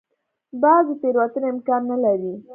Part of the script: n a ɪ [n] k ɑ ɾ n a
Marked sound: incorrect: m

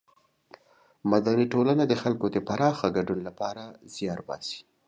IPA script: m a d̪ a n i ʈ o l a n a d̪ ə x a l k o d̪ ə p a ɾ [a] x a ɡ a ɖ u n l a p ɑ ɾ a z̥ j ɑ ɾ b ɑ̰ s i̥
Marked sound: incorrect: ɑ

